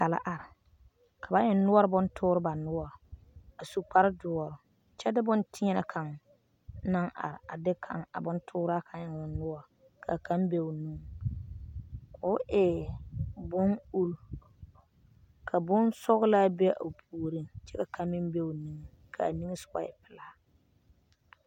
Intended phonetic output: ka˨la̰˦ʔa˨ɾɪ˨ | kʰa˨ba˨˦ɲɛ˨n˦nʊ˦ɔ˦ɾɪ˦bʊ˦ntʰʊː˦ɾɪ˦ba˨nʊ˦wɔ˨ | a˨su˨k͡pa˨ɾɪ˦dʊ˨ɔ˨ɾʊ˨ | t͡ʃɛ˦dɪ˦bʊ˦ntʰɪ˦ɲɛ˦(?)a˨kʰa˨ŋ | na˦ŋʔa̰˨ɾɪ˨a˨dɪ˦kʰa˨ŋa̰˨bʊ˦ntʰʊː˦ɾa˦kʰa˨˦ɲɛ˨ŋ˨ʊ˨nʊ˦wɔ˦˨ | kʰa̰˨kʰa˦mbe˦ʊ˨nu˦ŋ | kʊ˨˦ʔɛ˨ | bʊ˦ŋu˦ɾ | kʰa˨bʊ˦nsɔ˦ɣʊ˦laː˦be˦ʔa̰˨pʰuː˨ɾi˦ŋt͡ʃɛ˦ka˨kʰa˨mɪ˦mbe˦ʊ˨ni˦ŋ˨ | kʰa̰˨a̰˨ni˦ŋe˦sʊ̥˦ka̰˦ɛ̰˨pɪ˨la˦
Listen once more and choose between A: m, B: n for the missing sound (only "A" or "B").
B